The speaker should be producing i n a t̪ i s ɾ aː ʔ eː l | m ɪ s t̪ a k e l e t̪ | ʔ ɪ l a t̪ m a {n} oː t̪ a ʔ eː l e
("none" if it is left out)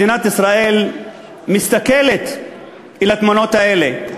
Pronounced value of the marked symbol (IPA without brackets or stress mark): n